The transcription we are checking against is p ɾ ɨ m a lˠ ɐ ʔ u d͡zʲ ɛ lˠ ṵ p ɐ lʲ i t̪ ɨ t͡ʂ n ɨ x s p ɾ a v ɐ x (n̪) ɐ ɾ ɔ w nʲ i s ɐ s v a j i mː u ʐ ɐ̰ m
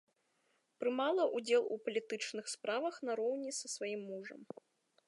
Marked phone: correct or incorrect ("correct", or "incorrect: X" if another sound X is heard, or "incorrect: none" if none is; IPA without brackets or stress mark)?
correct